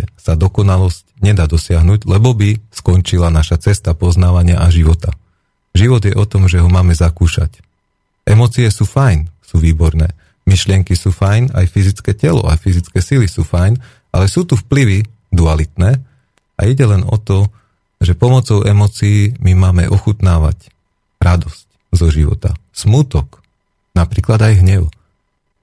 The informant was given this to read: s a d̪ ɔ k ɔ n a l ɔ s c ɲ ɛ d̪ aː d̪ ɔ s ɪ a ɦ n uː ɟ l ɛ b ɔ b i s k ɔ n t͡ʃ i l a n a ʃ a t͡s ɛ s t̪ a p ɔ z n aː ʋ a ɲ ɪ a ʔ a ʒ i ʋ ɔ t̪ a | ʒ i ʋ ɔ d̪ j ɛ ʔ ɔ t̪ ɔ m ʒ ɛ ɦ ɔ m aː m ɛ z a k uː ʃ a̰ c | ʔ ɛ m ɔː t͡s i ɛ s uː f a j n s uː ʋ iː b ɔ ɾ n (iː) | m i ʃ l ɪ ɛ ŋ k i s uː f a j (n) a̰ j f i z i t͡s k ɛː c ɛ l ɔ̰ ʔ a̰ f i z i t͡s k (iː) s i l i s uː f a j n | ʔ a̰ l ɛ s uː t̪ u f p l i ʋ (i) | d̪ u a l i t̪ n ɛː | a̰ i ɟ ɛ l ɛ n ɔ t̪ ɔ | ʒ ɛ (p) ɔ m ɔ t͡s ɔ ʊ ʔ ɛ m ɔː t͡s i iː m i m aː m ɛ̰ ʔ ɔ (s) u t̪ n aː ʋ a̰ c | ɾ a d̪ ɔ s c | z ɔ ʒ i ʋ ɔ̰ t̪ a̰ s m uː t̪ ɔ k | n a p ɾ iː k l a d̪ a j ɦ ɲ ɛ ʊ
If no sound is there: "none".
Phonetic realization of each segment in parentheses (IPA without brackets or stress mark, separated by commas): ɛː, n, ɛː, i, p, x